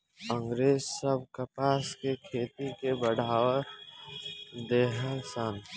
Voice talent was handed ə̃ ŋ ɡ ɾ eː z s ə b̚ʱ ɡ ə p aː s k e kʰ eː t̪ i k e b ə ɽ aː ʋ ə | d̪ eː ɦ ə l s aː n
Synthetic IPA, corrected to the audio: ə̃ ŋ ɡ ɾ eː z s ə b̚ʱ k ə p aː s k e kʰ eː t̪ i k e b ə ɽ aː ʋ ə | d̪ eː ɦ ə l s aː n